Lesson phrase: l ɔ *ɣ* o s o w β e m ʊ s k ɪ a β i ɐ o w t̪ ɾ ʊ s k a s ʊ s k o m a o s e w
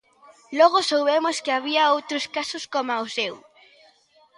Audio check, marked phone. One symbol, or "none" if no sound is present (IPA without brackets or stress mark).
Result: ɣ